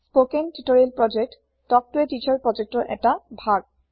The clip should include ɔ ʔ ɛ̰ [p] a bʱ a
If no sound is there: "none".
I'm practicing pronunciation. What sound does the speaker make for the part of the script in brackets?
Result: t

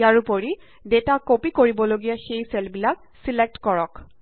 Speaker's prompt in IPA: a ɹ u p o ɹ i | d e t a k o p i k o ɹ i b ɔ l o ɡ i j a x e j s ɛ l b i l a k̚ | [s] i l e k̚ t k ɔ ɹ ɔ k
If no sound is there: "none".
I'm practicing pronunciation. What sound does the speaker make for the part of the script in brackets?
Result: s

